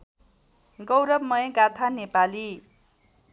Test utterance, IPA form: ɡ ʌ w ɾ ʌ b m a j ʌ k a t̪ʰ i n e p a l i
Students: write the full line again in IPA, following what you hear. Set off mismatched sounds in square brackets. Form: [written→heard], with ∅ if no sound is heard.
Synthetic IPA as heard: ɡ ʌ w ɾ ʌ b m [a→ʌ] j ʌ [k→ɡ] a t̪ʰ [i→a] n e p a l i